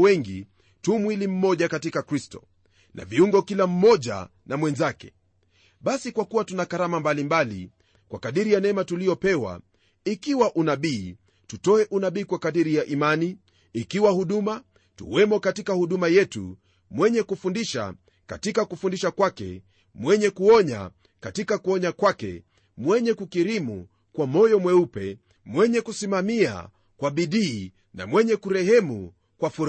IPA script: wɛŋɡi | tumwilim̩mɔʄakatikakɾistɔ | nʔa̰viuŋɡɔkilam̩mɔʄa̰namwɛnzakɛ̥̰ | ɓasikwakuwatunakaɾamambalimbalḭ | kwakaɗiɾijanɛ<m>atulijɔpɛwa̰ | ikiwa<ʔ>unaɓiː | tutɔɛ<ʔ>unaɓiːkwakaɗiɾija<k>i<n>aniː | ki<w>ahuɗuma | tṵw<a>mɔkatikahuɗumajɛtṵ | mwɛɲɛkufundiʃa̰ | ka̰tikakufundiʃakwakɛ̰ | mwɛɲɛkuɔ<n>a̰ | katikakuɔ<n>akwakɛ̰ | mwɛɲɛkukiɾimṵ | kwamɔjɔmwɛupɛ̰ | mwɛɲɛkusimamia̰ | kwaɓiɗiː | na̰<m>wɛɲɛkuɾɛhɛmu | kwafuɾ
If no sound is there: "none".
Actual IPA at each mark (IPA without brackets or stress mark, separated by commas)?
m, ʔ, ʔ, ʔ, m, w, ɛ, ɲ, ɲ, m